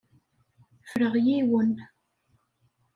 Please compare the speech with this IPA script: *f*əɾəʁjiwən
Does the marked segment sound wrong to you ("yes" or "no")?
no